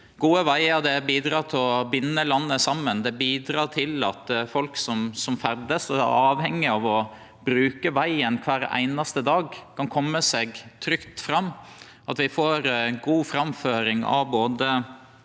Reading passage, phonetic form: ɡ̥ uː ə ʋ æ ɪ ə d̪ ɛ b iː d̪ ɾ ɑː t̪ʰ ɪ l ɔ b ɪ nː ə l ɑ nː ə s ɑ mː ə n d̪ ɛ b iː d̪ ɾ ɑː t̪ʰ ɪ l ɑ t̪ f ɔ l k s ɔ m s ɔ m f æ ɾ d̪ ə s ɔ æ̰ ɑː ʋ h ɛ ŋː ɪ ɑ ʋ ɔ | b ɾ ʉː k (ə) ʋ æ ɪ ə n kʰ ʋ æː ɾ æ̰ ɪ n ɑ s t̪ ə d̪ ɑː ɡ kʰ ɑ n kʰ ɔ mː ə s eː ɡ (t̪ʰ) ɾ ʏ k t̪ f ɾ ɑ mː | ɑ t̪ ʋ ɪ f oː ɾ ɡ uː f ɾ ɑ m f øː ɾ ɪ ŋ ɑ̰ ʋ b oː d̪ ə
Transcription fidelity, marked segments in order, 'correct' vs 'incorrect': correct, correct

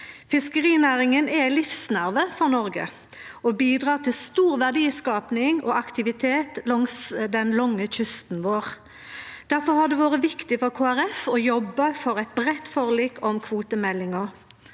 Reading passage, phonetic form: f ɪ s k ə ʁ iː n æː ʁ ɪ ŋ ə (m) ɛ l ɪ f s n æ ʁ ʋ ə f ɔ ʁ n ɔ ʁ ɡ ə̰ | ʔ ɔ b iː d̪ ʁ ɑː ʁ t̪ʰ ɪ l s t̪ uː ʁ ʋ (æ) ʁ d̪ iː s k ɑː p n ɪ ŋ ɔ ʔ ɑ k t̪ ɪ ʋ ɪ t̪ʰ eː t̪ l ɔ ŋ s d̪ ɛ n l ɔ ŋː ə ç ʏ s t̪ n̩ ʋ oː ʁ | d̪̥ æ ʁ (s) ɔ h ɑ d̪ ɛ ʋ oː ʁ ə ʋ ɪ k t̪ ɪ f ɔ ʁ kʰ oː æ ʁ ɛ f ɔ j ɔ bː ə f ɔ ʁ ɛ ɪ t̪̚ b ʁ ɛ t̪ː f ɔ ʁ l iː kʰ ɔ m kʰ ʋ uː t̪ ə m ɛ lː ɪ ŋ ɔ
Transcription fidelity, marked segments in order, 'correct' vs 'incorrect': incorrect: n, correct, incorrect: f

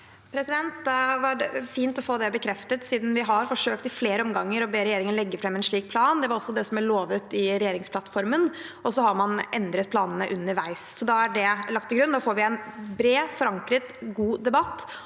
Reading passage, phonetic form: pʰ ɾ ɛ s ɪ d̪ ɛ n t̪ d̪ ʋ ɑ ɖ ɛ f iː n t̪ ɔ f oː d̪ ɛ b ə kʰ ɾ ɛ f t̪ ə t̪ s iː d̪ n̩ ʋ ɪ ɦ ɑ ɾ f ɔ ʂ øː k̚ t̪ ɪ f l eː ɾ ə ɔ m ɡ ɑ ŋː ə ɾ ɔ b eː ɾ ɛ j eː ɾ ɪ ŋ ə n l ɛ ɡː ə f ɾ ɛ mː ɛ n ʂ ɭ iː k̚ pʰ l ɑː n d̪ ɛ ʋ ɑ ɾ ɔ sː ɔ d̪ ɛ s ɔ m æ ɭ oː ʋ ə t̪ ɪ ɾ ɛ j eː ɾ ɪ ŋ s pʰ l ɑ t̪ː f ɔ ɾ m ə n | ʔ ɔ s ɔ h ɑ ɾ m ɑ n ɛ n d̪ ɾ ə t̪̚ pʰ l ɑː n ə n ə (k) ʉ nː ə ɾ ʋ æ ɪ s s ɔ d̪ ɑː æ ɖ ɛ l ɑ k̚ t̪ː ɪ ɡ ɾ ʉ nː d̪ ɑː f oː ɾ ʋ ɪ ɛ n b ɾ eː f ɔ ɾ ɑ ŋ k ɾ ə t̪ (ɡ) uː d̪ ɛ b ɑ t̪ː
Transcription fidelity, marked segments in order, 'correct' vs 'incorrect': incorrect: ʔ, correct

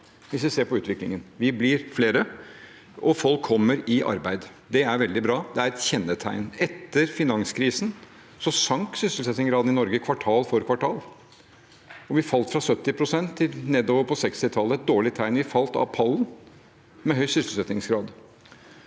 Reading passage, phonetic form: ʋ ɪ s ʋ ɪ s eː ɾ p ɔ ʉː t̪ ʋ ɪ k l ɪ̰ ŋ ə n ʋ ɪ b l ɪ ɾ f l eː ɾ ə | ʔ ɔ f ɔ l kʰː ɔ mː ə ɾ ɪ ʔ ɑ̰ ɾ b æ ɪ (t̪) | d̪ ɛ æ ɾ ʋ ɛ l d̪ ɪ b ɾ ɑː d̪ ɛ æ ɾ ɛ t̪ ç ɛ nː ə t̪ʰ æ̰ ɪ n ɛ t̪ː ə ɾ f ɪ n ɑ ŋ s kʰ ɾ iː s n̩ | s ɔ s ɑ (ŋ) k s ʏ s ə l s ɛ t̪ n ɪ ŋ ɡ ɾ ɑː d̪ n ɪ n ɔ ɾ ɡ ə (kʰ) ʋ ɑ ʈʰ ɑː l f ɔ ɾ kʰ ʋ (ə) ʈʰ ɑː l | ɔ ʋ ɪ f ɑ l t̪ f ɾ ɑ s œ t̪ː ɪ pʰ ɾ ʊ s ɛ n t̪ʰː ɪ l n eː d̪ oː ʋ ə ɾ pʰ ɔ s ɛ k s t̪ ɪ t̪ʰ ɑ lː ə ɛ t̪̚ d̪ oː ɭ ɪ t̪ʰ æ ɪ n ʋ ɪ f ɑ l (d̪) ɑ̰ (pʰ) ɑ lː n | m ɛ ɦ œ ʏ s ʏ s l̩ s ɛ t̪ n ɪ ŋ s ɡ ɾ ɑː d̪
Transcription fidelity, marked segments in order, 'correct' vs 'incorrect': incorrect: d̪, correct, correct, incorrect: ɑ, incorrect: t̪, correct

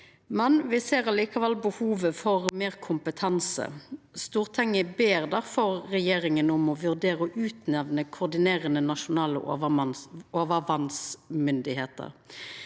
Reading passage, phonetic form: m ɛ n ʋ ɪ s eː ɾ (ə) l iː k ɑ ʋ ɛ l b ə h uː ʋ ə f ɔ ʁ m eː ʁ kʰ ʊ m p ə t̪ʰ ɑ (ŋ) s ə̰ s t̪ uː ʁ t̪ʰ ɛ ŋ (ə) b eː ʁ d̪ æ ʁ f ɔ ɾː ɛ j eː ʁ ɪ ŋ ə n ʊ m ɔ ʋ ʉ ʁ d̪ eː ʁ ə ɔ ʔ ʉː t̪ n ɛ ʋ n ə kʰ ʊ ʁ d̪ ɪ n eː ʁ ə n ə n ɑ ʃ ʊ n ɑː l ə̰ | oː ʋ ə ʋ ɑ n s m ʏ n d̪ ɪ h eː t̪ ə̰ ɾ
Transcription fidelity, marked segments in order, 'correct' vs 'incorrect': incorrect: ɑ, incorrect: n, correct

